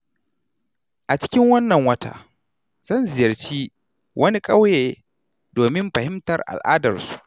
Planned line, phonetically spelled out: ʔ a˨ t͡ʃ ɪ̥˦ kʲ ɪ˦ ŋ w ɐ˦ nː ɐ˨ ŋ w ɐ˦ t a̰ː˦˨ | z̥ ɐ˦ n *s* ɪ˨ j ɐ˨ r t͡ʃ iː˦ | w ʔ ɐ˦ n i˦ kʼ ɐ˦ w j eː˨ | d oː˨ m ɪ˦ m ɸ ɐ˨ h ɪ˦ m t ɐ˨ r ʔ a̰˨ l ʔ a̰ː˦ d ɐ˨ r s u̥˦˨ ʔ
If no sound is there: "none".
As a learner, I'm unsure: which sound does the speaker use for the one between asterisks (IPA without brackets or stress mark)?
z